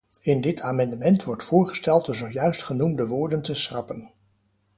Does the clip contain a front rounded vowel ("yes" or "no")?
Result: yes